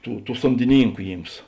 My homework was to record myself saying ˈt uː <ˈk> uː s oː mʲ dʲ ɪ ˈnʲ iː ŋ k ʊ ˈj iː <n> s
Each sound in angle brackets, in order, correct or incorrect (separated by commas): incorrect, incorrect